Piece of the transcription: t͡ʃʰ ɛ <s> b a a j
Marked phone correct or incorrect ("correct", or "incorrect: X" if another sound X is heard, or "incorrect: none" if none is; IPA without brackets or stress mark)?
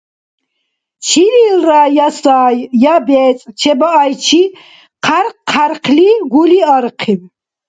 incorrect: none